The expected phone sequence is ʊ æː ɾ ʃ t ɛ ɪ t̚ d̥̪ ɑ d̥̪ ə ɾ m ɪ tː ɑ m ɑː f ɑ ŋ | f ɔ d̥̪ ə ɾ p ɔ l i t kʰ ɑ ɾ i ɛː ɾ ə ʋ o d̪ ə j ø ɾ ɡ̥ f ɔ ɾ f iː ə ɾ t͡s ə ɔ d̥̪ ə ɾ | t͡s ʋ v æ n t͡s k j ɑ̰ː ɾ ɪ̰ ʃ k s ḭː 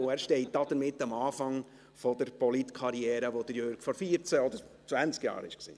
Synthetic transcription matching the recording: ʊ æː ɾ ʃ t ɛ ɪ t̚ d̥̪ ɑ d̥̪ ə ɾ m ɪ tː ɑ m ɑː f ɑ ŋ | f ɔ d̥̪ ə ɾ p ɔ l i t kʰ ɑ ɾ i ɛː ɾ ə ʋ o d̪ ə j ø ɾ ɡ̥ f ɔ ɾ f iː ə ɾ t͡s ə ɔ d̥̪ ə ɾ | t͡s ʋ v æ n t͡s k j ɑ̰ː ɾ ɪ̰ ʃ k s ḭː